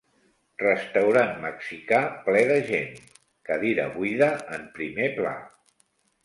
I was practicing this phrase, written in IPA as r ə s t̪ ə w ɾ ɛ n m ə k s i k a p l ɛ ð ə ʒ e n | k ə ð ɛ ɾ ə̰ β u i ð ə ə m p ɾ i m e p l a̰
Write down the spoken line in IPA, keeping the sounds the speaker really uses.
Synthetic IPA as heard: r ə s t̪ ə w ɾ a n m ə k s i k a p l ɛ ð ə ʒ e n | k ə ð i ɾ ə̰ β u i ð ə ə m p ɾ i m e p l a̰